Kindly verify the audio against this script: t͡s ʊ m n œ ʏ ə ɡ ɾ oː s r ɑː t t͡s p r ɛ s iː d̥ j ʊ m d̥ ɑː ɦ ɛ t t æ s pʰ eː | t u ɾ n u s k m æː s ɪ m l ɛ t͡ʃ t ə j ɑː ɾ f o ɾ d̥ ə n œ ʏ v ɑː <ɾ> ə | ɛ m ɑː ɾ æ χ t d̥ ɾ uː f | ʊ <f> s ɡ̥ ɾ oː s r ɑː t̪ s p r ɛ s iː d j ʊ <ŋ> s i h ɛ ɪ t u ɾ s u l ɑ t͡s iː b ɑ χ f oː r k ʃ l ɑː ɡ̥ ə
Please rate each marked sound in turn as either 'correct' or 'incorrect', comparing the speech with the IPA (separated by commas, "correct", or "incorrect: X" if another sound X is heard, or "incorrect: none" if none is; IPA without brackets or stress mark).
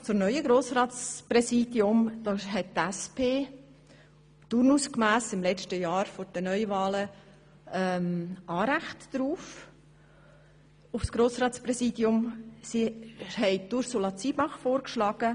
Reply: incorrect: l, correct, incorrect: m